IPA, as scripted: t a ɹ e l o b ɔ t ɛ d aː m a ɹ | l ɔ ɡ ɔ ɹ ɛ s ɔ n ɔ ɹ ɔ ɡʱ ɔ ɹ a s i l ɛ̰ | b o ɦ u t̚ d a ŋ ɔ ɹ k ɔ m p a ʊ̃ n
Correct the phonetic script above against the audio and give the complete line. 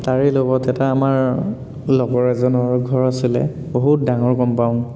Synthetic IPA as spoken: t a ɹ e l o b ɔ t ɛ t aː m a ɹ | l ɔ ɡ ɔ ɹ ɛ z ɔ n ɔ ɹ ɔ ɡʱ ɔ ɹ a s i l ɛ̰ | b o ɦ u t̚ d a ŋ ɔ ɹ k ɔ m p a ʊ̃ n